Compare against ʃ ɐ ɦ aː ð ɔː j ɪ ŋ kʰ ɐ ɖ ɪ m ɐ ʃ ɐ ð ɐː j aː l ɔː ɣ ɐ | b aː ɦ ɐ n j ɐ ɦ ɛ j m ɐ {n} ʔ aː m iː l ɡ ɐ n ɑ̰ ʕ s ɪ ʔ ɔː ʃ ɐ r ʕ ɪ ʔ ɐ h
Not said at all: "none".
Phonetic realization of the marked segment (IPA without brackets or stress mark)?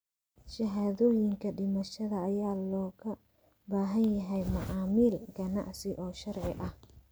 none